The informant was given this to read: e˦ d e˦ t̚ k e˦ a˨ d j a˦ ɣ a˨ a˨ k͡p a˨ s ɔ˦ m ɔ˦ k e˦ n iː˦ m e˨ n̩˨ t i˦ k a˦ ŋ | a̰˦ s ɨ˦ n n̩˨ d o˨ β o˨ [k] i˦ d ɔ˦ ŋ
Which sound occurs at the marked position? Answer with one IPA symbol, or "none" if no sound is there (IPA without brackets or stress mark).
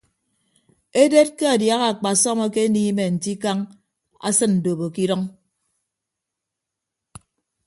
k